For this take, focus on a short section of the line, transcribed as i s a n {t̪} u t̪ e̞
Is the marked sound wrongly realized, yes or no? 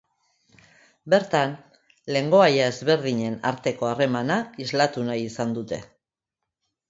yes